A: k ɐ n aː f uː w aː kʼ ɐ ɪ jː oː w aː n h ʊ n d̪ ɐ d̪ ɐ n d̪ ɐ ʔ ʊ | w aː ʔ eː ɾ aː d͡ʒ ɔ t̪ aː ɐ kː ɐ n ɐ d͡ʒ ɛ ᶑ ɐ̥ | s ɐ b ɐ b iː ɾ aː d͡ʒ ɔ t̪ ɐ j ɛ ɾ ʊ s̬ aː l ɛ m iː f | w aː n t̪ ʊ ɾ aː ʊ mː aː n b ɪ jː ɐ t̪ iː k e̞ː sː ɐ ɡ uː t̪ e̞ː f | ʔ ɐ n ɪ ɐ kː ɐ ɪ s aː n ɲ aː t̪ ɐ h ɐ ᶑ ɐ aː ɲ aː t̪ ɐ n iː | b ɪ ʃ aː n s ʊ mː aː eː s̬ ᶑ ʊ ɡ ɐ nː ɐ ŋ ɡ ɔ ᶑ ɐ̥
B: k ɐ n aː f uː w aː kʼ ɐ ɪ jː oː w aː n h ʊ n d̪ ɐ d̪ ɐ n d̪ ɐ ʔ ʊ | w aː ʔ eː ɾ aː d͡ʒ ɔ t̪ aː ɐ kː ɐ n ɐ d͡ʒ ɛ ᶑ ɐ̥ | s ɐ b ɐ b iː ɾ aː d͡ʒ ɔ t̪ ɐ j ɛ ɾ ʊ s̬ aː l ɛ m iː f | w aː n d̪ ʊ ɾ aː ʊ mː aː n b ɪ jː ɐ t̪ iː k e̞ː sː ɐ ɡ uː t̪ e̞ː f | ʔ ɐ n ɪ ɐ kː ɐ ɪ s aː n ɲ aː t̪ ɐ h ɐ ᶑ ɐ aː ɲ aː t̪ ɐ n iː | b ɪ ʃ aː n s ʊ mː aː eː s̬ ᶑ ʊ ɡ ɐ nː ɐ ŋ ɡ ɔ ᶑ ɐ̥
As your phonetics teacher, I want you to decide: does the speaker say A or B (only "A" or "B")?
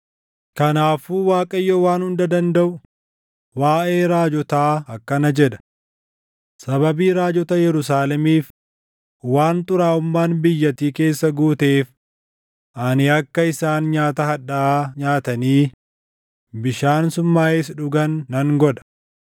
A